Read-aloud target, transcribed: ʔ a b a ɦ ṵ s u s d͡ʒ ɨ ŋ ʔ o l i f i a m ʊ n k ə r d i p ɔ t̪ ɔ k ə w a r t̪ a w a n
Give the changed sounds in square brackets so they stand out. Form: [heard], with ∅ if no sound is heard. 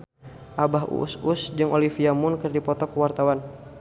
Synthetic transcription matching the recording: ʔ a b a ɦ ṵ s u s d͡ʒ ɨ ŋ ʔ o l i f i a m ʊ n k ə r d i p ɔ t̪ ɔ k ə w a r t̪ a w a n